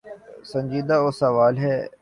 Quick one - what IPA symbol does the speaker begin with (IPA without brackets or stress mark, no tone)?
s